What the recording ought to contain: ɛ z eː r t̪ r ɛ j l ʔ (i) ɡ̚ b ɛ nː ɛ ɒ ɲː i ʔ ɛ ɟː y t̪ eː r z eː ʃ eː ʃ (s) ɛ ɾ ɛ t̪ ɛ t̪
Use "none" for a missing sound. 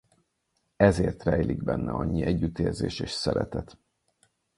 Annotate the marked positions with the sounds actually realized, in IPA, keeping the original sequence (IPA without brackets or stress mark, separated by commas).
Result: i, s